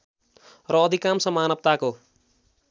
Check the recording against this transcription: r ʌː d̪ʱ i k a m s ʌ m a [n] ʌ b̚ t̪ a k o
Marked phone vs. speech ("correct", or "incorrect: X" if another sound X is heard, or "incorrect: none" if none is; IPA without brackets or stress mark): correct